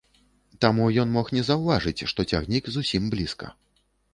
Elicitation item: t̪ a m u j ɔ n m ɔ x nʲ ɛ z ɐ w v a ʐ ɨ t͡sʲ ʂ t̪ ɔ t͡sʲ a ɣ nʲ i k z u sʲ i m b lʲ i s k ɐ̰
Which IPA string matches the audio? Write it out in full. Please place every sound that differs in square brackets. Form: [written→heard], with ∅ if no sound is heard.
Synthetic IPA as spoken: t̪ a m u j ɔ n m ɔ x nʲ ɛ z ɐ w v a ʐ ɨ t͡sʲ ʂ t̪ ɔ t͡sʲ a ɣ nʲ i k z u sʲ i m b lʲ i s k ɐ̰